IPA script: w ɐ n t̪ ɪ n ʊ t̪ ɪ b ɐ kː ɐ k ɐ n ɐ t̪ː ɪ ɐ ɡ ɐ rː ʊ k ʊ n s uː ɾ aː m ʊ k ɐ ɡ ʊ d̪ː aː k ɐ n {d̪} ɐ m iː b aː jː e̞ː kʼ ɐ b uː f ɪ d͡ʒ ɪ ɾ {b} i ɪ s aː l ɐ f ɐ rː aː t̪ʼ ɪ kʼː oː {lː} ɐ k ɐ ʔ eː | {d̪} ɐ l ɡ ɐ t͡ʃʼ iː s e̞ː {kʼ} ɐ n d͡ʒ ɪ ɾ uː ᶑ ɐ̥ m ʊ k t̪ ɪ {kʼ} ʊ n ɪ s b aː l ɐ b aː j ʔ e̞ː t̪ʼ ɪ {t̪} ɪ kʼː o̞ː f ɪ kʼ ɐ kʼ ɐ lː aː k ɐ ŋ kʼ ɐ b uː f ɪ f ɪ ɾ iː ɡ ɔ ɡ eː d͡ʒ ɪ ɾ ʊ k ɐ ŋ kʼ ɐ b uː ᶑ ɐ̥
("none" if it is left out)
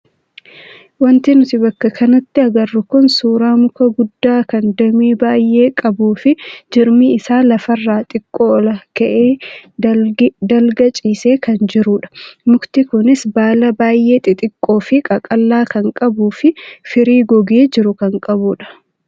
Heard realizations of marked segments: d̪, m, l, d̪, k, k, t̪ʼ

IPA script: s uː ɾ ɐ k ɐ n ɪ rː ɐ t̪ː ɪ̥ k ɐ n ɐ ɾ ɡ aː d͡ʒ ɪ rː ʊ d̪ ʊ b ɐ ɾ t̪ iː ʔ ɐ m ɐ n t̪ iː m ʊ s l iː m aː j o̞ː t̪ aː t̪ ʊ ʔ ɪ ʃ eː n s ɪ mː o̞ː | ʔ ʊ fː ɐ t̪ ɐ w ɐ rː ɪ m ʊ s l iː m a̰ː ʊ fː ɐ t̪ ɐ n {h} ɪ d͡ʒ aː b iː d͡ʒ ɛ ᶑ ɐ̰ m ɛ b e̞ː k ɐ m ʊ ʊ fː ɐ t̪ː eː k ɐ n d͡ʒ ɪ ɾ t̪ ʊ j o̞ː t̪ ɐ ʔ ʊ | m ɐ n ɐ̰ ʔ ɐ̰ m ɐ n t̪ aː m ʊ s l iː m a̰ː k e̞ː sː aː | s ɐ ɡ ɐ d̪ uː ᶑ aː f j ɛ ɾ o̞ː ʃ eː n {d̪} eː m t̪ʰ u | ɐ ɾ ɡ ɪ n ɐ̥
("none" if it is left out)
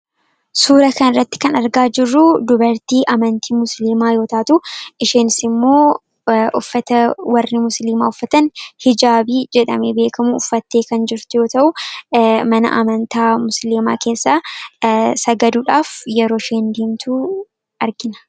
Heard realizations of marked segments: h, d̪

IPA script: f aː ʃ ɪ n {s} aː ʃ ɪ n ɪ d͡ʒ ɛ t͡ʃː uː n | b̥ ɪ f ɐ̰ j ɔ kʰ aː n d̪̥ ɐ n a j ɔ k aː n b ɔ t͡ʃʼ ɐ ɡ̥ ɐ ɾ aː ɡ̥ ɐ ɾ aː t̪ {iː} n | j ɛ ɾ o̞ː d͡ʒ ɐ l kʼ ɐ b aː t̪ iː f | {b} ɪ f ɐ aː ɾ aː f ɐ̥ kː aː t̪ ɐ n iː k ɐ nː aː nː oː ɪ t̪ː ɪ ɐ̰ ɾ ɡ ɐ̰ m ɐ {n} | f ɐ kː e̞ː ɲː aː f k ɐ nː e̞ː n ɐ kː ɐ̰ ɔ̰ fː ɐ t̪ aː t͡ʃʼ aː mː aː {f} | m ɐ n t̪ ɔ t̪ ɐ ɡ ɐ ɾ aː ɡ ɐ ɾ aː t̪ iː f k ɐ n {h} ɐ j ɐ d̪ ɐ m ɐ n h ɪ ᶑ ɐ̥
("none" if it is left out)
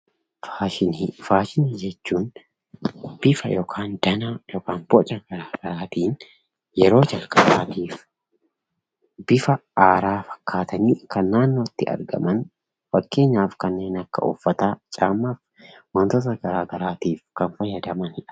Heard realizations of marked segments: f, iː, b, n, f, f

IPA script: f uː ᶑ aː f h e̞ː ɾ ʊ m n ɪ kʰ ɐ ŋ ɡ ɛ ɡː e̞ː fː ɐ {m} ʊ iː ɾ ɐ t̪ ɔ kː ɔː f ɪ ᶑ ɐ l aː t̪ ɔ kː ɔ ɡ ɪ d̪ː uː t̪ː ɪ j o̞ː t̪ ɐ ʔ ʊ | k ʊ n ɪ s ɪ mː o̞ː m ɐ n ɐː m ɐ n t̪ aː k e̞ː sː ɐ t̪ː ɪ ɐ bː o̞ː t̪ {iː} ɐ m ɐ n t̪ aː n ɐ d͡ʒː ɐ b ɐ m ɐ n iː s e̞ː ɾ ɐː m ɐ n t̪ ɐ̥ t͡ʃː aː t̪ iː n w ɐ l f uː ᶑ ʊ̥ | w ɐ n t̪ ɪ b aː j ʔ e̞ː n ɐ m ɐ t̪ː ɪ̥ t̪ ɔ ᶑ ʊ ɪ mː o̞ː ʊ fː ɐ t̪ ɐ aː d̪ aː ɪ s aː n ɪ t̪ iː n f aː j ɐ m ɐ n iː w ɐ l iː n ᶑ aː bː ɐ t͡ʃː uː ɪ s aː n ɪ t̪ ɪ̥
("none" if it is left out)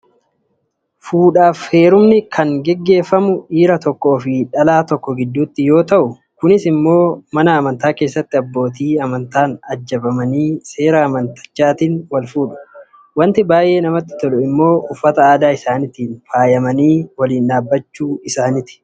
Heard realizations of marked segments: m, iː

